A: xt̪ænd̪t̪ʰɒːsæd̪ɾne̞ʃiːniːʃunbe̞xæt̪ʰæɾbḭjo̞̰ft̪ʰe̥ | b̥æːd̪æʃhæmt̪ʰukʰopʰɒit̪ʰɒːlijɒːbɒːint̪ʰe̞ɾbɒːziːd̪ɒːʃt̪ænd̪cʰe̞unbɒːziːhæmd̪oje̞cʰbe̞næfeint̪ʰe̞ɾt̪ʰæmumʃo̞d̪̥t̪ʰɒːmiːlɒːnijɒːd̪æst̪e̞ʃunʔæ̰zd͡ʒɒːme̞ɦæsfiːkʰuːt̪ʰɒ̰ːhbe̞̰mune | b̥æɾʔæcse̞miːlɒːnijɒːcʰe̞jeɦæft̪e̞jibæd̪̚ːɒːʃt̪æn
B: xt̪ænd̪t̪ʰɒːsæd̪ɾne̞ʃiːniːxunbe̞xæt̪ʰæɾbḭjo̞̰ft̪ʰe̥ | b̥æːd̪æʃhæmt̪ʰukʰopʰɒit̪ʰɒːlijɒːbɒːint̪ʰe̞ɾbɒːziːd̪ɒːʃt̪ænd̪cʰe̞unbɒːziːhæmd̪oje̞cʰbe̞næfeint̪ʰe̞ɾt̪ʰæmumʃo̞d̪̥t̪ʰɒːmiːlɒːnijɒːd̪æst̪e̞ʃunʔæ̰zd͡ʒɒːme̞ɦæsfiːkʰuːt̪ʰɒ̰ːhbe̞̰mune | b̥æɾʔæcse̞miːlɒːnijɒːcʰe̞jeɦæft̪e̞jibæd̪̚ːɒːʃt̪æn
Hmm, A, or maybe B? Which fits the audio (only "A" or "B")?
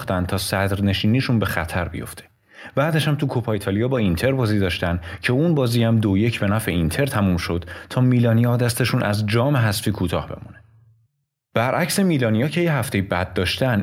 A